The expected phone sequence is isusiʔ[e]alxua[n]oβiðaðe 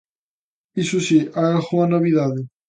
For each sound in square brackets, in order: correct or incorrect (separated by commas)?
incorrect, correct